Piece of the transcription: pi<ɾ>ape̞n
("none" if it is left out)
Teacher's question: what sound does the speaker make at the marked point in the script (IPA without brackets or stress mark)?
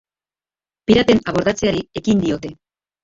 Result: ɾ